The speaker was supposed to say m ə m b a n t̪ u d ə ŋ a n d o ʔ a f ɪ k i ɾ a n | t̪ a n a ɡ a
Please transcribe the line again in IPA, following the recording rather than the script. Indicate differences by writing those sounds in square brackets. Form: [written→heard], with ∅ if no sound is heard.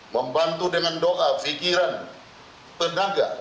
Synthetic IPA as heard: m ə m b a n t̪ u d ə ŋ a n d o ʔ a f [ɪ→i] k i ɾ a n | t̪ [a→ə] n a ɡ a